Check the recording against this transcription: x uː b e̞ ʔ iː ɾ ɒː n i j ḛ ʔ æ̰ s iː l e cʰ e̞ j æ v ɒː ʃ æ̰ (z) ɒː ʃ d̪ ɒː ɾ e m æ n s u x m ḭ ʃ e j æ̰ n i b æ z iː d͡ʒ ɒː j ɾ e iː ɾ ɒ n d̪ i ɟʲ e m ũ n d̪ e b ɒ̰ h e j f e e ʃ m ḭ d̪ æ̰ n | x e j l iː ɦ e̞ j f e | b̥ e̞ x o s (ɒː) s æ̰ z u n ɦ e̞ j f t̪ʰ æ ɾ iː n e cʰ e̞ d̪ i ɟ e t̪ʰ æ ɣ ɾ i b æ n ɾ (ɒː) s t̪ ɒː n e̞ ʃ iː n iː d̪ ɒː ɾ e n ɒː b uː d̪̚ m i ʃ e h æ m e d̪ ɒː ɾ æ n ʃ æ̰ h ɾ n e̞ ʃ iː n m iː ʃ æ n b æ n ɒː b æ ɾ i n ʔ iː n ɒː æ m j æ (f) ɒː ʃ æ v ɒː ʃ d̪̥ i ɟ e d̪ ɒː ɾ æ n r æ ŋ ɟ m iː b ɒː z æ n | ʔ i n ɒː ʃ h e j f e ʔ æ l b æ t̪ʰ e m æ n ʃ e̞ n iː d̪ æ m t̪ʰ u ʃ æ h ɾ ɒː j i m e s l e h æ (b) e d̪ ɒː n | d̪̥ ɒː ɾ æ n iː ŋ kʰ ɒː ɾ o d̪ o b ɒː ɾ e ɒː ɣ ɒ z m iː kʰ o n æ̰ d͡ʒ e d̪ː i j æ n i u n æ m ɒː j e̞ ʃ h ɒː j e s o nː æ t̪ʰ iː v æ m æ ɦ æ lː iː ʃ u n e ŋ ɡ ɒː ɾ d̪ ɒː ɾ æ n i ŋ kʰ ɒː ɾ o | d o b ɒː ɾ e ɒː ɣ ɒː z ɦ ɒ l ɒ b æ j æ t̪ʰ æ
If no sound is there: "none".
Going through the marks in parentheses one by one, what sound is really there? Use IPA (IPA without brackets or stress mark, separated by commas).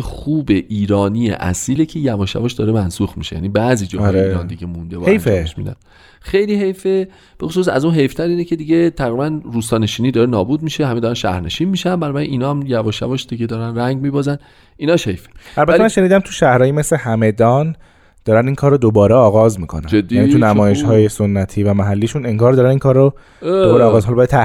v, uː, uː, v, m